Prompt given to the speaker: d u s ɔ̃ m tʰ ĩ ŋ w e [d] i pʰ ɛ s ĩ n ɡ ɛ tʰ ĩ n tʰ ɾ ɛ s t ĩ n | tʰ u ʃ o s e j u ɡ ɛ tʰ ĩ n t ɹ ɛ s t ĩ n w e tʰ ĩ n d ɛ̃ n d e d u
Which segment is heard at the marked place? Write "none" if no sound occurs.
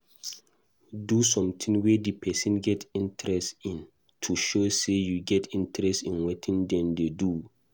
d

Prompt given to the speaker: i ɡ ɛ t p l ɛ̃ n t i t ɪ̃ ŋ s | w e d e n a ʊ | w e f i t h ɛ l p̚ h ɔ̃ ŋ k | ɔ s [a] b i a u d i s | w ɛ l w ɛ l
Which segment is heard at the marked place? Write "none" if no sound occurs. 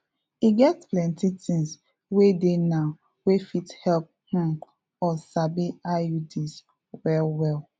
a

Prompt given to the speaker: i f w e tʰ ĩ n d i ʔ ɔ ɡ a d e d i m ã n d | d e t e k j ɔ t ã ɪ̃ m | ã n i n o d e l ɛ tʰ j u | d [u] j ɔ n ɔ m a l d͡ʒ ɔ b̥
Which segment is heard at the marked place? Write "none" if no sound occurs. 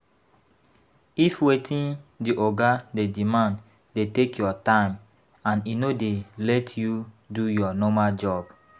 u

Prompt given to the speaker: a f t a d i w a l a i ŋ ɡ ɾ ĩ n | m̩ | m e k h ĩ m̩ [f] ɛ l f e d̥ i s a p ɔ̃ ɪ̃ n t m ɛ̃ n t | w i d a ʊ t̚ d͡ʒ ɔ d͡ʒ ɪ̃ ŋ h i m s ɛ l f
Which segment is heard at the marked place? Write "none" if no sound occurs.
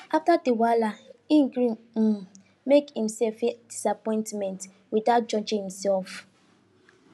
s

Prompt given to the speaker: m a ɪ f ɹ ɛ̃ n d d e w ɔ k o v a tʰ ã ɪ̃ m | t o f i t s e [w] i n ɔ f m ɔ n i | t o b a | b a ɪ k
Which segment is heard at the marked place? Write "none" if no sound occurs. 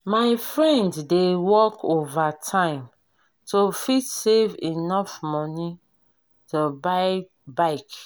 v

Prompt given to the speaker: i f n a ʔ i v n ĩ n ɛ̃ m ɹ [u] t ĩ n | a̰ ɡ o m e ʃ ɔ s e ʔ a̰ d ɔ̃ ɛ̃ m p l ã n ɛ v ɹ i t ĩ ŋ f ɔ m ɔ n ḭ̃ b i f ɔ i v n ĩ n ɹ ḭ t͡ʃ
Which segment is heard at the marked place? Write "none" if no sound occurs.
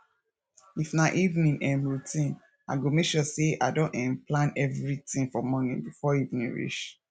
u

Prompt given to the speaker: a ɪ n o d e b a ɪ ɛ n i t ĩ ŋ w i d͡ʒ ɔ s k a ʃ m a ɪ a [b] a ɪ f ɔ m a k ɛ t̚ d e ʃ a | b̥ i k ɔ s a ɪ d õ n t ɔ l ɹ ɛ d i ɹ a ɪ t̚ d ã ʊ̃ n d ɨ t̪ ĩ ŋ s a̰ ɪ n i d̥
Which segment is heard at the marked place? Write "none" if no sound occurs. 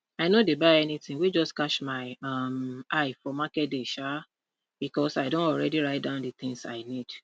m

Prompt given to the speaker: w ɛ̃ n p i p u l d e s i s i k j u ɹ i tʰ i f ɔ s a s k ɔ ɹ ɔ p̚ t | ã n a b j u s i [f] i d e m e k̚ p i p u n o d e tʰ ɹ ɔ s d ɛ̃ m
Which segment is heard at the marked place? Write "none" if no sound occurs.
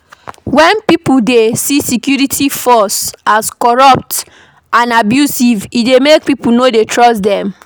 v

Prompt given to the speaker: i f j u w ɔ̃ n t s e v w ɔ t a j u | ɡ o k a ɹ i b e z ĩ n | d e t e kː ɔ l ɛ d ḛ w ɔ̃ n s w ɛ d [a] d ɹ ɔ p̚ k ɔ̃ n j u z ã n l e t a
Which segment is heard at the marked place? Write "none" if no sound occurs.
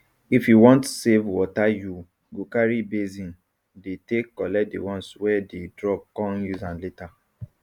e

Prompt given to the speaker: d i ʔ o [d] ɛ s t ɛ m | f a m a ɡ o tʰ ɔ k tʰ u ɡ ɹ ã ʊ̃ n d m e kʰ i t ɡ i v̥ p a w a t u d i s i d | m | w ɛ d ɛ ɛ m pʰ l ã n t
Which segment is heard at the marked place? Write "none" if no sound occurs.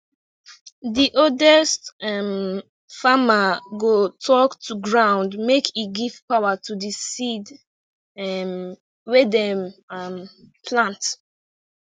d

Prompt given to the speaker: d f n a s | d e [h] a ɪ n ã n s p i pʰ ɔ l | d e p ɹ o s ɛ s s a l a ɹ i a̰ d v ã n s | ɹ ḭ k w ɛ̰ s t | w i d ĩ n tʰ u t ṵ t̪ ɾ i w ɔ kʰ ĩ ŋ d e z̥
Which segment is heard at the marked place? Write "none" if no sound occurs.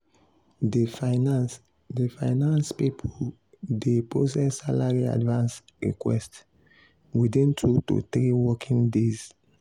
f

